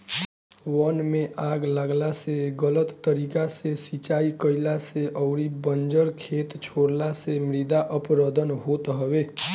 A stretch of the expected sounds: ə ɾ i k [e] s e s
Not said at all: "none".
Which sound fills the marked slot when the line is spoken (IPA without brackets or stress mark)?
a